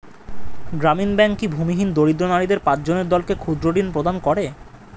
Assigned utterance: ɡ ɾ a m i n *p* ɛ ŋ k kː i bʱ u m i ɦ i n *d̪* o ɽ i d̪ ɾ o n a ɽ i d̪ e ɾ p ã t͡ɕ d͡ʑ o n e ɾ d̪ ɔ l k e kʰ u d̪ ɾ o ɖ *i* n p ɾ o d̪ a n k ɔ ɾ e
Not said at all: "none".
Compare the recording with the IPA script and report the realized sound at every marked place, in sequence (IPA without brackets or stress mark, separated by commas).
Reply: b, d̪, i